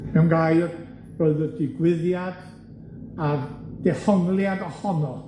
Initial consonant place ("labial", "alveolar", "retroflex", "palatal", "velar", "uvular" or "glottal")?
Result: labial